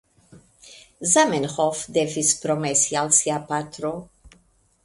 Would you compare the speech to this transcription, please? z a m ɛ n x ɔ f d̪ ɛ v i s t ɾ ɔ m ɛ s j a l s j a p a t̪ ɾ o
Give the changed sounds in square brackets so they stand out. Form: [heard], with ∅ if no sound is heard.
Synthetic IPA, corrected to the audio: z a m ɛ n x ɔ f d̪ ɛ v i s [p] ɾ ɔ m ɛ s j a l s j a p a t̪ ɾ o